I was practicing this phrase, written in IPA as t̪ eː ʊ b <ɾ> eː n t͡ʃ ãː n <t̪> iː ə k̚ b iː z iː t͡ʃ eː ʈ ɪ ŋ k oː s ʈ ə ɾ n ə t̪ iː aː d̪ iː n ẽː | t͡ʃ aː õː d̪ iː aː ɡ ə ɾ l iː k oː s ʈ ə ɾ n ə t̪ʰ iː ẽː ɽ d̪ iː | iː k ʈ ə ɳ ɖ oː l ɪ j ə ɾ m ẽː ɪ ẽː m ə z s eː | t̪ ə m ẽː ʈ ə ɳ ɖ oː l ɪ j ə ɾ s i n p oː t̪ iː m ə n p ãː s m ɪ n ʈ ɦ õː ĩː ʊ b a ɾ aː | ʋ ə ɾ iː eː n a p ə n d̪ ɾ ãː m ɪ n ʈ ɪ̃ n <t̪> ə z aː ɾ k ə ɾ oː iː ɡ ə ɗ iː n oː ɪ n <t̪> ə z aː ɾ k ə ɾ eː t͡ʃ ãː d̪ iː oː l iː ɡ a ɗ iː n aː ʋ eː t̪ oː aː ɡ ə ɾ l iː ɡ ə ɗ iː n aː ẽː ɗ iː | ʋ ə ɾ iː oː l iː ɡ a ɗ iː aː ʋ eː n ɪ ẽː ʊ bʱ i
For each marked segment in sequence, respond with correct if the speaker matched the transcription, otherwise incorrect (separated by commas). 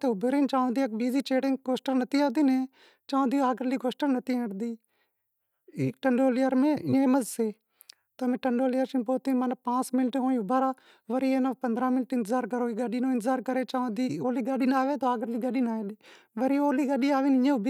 correct, incorrect, correct, correct